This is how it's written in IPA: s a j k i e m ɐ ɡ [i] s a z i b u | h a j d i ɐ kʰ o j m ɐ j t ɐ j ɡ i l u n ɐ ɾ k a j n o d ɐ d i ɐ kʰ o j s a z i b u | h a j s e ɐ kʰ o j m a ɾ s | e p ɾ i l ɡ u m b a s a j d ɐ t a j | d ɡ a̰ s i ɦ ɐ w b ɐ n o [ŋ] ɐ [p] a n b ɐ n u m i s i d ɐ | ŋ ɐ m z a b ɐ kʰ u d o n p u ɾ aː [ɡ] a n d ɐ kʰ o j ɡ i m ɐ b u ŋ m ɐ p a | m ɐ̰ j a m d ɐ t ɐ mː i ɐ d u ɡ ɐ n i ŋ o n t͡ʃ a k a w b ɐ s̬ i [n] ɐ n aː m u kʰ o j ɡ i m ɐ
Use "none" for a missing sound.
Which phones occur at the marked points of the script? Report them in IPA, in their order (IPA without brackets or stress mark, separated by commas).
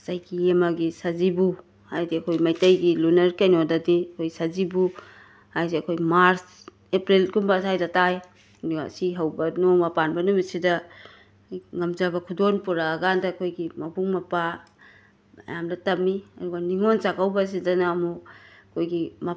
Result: i, m, p, ɡ, d